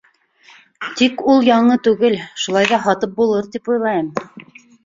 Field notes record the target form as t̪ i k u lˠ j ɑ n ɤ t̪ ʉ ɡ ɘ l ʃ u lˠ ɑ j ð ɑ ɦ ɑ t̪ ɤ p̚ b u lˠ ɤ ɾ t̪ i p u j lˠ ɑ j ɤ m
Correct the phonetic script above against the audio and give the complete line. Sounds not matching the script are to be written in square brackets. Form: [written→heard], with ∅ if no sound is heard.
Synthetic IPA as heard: t̪ i k u lˠ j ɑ [n→ɴ] ɤ t̪ ʉ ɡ ɘ l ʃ u lˠ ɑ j ð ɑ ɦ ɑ t̪ ɤ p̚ b u lˠ ɤ ɾ t̪ i p u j lˠ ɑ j ɤ m